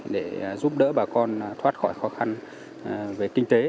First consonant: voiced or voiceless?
voiced